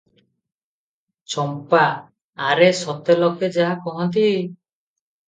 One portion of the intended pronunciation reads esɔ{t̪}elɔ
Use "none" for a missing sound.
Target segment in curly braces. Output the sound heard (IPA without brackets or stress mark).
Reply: t̪